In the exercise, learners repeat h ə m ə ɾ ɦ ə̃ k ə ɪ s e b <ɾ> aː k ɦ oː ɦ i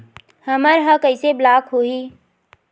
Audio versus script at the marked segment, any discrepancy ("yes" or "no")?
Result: yes